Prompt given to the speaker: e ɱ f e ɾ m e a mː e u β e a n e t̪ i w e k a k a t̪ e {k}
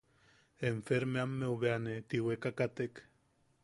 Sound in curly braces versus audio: correct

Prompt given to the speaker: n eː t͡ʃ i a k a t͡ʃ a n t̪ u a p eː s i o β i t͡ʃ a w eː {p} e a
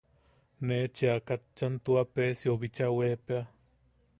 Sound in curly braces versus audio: correct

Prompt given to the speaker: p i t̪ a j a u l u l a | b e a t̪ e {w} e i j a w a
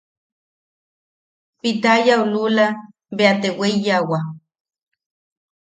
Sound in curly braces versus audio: correct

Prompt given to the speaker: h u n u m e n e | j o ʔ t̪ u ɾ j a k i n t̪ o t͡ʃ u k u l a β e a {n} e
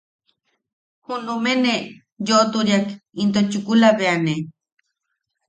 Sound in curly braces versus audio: correct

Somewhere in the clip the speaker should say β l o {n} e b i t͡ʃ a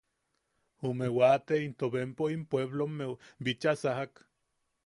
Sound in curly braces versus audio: incorrect: m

